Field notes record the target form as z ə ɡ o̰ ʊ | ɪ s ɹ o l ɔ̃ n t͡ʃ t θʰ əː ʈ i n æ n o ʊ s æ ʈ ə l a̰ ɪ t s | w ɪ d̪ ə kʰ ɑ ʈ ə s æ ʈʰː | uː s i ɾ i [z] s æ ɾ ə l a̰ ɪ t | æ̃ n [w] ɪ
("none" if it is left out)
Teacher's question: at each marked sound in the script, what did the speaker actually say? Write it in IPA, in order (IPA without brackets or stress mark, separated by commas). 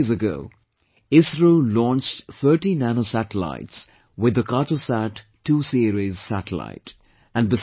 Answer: z, b